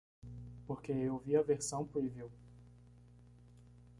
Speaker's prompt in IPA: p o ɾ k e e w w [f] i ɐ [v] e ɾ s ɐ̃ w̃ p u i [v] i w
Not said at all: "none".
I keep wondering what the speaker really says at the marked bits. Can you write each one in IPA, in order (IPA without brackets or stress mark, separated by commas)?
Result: v, v, v